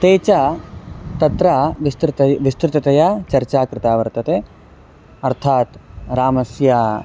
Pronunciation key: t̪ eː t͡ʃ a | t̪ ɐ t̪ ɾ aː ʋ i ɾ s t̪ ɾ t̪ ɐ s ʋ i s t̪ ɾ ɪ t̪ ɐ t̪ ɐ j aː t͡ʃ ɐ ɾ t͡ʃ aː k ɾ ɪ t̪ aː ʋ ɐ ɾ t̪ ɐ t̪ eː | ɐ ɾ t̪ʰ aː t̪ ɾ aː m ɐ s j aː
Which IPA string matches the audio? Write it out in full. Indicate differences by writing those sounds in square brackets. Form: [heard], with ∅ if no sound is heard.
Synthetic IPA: t̪ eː t͡ʃ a | t̪ ɐ t̪ ɾ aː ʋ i [∅] s t̪ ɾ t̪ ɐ [∅] ʋ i s t̪ ɾ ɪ t̪ ɐ t̪ ɐ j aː t͡ʃ ɐ ɾ t͡ʃ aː k ɾ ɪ t̪ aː ʋ ɐ ɾ t̪ ɐ t̪ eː | ɐ ɾ t̪ʰ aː t̪ ɾ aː m ɐ s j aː